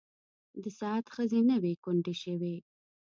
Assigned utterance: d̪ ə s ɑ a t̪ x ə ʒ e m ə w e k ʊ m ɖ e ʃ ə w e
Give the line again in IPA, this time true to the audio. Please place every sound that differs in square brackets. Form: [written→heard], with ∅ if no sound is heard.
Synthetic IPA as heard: d̪ ə s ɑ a t̪ x ə [ʒ→z] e [m→n] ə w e k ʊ [m→ɳ] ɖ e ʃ ə w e